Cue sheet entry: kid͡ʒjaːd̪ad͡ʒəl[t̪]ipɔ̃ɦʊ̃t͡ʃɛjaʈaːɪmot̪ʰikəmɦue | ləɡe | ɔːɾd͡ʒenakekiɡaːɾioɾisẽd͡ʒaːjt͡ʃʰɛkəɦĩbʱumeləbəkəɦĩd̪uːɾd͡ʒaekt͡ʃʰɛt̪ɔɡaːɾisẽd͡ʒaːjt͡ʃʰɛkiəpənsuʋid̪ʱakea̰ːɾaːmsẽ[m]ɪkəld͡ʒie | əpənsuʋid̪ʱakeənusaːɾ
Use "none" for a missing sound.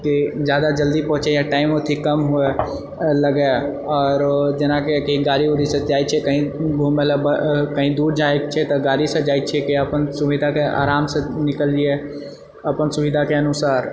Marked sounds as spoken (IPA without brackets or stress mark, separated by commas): d̪, n